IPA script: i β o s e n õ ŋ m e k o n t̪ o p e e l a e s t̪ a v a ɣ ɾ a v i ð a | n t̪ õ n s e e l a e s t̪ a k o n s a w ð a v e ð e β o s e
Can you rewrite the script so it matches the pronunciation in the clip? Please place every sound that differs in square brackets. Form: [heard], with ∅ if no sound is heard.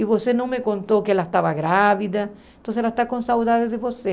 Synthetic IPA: i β o s e n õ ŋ m e k o n t̪ o [k] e e l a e s t̪ a [β] a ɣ ɾ a [β] i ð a | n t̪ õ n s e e l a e s t̪ a k o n s a w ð a [ð] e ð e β o s e